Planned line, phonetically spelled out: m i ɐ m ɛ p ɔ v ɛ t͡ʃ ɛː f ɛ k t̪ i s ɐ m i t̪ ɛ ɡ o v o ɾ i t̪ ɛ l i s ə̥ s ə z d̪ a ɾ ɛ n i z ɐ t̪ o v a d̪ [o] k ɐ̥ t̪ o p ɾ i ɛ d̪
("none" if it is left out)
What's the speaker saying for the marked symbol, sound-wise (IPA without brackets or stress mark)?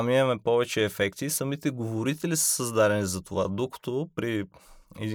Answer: o